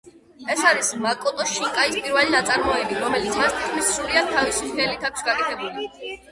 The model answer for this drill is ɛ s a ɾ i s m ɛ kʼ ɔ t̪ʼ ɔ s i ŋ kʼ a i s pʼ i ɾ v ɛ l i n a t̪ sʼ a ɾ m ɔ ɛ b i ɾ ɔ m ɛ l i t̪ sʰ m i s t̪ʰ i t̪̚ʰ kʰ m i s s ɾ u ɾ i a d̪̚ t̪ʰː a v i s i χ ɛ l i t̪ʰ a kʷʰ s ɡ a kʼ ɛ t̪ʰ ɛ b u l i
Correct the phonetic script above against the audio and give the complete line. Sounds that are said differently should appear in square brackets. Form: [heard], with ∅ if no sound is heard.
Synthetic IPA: ɛ s a ɾ i s m [a] kʼ ɔ t̪ʼ ɔ [ʃ] i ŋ kʼ a i s pʼ i ɾ v ɛ l i n a t̪ sʼ a ɾ m ɔ ɛ b i ɾ ɔ m ɛ l i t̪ sʰ m [a] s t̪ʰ i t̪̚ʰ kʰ m i s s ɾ u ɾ i a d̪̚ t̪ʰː a v i s i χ ɛ l i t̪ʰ a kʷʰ s ɡ a kʼ ɛ t̪ʰ ɛ b u l i